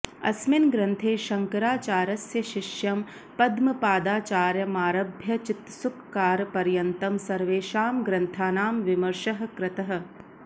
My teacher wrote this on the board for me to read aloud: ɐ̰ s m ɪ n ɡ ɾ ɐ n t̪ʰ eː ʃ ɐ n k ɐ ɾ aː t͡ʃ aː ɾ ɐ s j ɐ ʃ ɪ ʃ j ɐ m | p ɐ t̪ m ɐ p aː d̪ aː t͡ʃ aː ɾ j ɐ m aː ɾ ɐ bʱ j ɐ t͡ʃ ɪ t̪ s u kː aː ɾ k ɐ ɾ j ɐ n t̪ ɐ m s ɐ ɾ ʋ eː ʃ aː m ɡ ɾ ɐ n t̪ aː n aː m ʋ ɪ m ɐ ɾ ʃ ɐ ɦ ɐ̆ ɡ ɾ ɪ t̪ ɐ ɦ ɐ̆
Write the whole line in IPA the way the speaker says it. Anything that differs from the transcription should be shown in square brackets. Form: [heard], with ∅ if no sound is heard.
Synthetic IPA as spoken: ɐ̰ s m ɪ n ɡ ɾ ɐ n t̪ʰ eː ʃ ɐ [ŋ] k ɐ ɾ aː t͡ʃ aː ɾ ɐ s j ɐ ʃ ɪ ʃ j ɐ m | p ɐ [d̪] m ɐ p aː d̪ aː t͡ʃ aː ɾ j ɐ m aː ɾ ɐ bʱ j ɐ t͡ʃ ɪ t̪ s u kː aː ɾ [p] ɐ ɾ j ɐ n t̪ ɐ m s ɐ ɾ ʋ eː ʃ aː m ɡ ɾ ɐ n [t̪ʰ] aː n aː m ʋ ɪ m ɐ ɾ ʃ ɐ ɦ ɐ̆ [k] ɾ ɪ t̪ ɐ ɦ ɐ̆

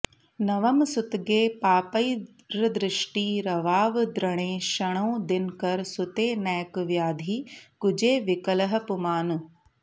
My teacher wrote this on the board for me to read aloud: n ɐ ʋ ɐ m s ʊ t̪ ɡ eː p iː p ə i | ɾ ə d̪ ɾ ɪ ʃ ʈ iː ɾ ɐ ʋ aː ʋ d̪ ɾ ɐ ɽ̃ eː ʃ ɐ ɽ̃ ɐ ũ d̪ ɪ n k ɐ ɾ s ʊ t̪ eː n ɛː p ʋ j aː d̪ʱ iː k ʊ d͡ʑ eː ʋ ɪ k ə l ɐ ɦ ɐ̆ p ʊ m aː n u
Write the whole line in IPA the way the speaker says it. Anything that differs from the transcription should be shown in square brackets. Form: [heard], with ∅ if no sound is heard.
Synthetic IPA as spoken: n ɐ ʋ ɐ m s ʊ t̪ ɡ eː p [aː] p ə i | ɾ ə d̪ ɾ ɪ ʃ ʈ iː ɾ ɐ ʋ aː ʋ d̪ ɾ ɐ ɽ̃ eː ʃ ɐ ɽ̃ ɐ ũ d̪ ɪ n k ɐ ɾ s ʊ t̪ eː n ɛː [k] ʋ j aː d̪ʱ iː k ʊ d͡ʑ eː ʋ ɪ k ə l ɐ ɦ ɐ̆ p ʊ m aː n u

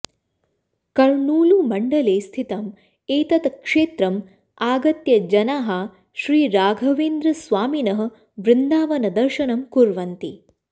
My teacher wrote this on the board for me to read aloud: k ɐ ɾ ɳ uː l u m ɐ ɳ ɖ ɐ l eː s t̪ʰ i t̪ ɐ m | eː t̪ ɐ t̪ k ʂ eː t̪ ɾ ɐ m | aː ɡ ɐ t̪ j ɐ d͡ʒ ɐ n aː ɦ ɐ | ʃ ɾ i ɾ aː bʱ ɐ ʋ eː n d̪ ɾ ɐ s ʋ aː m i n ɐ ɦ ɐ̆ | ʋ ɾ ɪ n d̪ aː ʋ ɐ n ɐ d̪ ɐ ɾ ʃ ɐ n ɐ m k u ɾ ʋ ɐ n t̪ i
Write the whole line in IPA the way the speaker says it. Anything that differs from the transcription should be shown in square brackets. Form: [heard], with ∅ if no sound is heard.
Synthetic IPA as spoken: k ɐ ɾ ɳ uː l u m ɐ ɳ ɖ ɐ l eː s t̪ʰ i t̪ ɐ m | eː t̪ ɐ t̪ k ʂ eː t̪ ɾ ɐ m | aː ɡ ɐ t̪ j ɐ d͡ʒ ɐ n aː ɦ ɐ | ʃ ɾ [iː] ɾ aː [ɡʱ] ɐ ʋ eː n d̪ ɾ ɐ s ʋ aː m i n ɐ ɦ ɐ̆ | ʋ ɾ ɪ n d̪ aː ʋ ɐ n ɐ d̪ ɐ ɾ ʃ ɐ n ɐ m k u ɾ ʋ ɐ n t̪ i

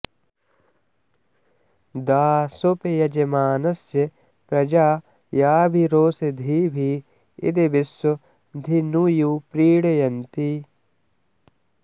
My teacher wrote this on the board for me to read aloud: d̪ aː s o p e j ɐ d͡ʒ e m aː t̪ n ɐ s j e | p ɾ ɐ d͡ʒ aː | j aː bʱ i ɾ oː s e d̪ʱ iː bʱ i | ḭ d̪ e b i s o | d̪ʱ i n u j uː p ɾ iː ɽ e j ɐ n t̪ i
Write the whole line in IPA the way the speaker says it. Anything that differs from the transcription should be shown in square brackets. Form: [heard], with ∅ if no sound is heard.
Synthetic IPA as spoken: d̪ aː s o p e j ɐ d͡ʒ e m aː [∅] n ɐ s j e | p ɾ ɐ d͡ʒ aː | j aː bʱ i ɾ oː s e d̪ʱ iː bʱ i | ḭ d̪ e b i s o | d̪ʱ i n u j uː p ɾ iː ɽ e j ɐ n t̪ i

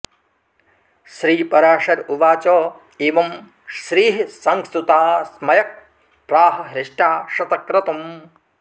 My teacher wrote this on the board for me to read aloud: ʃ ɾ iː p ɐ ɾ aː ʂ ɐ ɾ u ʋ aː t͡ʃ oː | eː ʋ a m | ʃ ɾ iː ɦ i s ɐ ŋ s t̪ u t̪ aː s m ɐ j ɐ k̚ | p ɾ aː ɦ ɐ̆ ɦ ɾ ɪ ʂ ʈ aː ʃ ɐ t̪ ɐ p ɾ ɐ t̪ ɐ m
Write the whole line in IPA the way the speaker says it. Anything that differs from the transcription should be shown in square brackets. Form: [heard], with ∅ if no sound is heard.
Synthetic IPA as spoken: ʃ ɾ iː p ɐ ɾ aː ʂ ɐ ɾ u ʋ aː t͡ʃ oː | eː ʋ [ɐ] m | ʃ ɾ iː ɦ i s ɐ ŋ s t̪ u t̪ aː s m ɐ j ɐ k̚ | p ɾ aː ɦ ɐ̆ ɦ ɾ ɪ ʂ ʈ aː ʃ ɐ t̪ ɐ [k] ɾ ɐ t̪ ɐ m

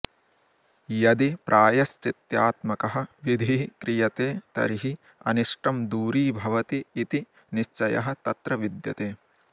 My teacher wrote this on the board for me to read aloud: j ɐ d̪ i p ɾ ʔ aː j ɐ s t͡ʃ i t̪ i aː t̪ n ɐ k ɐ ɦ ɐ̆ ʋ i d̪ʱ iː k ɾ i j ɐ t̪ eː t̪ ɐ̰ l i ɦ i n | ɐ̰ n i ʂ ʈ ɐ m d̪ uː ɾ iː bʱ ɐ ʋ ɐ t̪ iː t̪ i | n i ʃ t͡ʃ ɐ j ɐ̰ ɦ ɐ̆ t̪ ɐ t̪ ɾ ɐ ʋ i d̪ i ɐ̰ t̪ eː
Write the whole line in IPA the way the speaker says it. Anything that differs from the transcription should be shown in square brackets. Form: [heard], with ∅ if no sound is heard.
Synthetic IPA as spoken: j ɐ d̪ i p ɾ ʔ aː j ɐ s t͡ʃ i t̪ [j] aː t̪ [m] ɐ k ɐ ɦ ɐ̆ ʋ i d̪ʱ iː k ɾ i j ɐ t̪ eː t̪ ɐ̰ [ɾ] i ɦ i [∅] | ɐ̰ n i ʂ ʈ ɐ m d̪ uː ɾ iː bʱ ɐ ʋ ɐ t̪ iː t̪ i | n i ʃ t͡ʃ ɐ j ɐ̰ ɦ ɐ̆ t̪ ɐ t̪ ɾ ɐ ʋ i d̪ [j] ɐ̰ t̪ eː

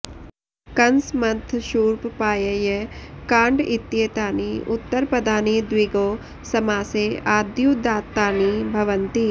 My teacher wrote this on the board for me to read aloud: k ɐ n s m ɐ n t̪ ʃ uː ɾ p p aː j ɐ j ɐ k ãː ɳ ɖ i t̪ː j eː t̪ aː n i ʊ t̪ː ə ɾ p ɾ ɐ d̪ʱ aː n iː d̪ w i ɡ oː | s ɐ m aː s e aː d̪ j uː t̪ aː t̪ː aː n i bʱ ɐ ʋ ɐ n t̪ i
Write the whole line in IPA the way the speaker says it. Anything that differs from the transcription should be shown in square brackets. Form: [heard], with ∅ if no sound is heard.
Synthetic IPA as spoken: k ɐ n s m ɐ n [t̪ʰ] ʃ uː ɾ p p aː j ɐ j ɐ k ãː ɳ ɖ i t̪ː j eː t̪ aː n i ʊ t̪ː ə ɾ p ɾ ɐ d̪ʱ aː n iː d̪ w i ɡ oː | s ɐ m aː s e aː d̪ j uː [d̪] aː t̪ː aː n i bʱ ɐ ʋ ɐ n t̪ i

